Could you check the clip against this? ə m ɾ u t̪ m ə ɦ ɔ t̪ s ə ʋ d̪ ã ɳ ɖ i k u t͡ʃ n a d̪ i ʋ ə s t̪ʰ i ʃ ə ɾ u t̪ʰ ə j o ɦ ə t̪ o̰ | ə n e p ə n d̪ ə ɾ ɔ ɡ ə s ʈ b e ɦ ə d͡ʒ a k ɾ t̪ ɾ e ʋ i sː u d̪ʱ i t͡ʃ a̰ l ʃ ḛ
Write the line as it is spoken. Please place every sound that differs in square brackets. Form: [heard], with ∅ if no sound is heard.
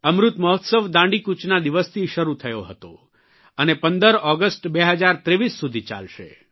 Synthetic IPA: ə m ɾ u t̪ m ə ɦ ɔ t̪ s ə ʋ d̪ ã ɳ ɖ i k u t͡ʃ n a d̪ i ʋ ə s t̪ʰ i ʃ ə ɾ u t̪ʰ ə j o ɦ ə t̪ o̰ | ə n e p ə n d̪ ə ɾ ɔ ɡ ə s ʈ b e ɦ ə d͡ʒ a [∅] ɾ t̪ ɾ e ʋ i sː u d̪ʱ i t͡ʃ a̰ l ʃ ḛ